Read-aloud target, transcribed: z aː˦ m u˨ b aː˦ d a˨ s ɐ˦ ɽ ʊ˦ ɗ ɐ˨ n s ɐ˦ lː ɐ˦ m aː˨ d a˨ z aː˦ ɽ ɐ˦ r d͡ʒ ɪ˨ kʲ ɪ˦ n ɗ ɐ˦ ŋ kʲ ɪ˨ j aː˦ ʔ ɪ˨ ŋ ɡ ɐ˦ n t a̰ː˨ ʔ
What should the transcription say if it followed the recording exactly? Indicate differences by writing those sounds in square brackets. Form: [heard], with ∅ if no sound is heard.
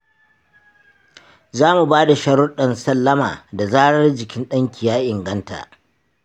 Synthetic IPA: z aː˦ m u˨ b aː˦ d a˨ [ʃ] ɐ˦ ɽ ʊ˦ ɗ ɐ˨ n s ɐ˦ lː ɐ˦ m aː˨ d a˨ z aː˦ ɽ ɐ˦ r d͡ʒ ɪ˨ kʲ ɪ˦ n ɗ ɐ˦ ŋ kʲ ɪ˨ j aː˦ ʔ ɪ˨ ŋ ɡ ɐ˦ n t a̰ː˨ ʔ